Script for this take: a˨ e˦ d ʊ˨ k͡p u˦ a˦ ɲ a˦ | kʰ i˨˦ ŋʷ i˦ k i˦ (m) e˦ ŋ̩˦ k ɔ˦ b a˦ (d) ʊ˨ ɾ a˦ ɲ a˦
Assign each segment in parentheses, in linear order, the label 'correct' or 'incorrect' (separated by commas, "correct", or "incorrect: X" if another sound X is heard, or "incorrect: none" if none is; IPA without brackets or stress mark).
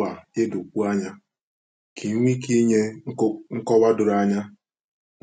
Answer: incorrect: ɲ, correct